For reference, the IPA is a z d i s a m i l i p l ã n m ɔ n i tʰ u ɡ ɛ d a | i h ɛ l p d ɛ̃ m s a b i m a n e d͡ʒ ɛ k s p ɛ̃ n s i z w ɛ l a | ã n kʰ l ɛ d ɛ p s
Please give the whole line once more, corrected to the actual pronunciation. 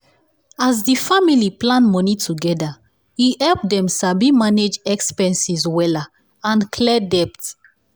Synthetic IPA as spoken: a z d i f a m i l i p l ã n m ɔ n i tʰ u ɡ ɛ d a | i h ɛ l p d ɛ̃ m s a b i m a n e d͡ʒ ɛ k s p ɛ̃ n s i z w ɛ l a | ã n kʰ l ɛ d ɛ p t